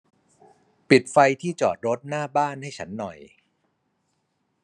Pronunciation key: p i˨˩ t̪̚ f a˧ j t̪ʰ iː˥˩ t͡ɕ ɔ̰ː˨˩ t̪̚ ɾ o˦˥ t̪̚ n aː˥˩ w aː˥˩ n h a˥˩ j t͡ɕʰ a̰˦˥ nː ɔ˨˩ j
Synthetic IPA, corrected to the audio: p i˨˩ t̪̚ f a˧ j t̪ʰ iː˥˩ t͡ɕ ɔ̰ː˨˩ t̪̚ ɾ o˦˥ t̪̚ n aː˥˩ b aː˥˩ n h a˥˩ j t͡ɕʰ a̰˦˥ nː ɔ˨˩ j